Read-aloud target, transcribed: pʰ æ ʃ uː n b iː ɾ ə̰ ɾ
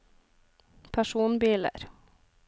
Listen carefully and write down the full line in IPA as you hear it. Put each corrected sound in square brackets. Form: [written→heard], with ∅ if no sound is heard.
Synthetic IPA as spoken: pʰ æ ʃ uː n b iː [ɾ→l] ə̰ ɾ